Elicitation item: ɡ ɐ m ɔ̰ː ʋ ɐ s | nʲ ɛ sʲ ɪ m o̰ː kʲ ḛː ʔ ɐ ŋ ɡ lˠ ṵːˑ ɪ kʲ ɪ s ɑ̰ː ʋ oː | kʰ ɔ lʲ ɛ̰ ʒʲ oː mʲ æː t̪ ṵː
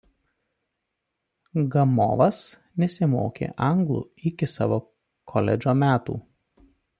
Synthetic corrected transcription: ɡ ɐ m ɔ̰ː ʋ ɐ s | nʲ ɛ sʲ ɪ m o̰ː kʲ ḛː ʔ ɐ ŋ ɡ lˠ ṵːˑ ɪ kʲ ɪ s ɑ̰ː ʋ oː | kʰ ɔ lʲ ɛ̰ d͡ʒʲ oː mʲ æː t̪ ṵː